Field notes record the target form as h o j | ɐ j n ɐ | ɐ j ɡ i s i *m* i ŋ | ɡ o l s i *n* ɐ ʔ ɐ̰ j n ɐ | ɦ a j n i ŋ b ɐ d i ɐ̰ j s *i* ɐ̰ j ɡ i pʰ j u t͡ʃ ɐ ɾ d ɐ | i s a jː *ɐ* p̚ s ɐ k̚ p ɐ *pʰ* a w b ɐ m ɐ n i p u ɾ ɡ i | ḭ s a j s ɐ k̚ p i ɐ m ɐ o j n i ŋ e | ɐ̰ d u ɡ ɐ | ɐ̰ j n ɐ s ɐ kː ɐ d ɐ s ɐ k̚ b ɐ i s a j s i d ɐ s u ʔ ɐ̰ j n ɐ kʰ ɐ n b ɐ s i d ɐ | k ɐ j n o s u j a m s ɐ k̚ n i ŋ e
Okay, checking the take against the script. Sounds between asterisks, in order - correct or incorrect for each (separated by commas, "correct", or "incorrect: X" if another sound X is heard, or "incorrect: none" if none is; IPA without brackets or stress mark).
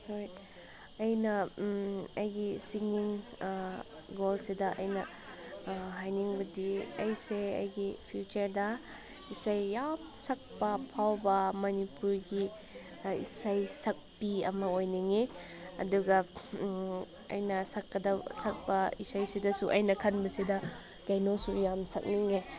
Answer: incorrect: ŋ, incorrect: d, incorrect: e, incorrect: a, correct